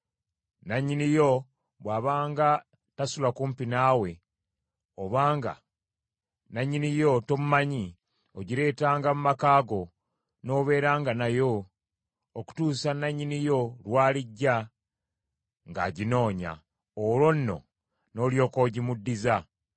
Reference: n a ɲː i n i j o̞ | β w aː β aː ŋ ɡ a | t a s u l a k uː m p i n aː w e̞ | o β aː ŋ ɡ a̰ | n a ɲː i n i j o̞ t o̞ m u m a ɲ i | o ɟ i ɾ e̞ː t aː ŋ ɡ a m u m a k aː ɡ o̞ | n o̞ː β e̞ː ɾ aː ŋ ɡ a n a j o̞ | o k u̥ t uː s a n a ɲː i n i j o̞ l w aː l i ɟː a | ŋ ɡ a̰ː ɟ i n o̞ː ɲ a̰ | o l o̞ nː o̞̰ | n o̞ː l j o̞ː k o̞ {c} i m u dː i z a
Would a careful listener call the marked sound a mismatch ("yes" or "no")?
yes